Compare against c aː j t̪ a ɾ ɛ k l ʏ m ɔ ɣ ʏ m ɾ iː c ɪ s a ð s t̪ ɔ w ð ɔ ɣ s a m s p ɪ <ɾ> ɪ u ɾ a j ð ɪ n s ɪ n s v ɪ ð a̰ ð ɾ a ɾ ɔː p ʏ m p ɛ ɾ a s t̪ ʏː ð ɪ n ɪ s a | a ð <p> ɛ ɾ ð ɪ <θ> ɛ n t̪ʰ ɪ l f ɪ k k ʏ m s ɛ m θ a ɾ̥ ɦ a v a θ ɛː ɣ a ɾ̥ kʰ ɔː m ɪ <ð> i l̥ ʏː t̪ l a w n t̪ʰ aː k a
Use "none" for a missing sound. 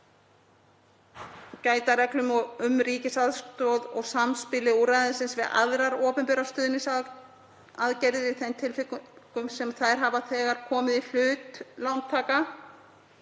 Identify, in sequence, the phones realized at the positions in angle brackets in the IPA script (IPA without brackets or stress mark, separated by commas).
l, c, θ, ð